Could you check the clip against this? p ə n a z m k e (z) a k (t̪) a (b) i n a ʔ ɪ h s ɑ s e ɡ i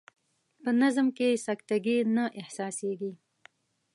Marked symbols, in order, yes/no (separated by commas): no, yes, no